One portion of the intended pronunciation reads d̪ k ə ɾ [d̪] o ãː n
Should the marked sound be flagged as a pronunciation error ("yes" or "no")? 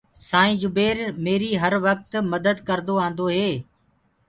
no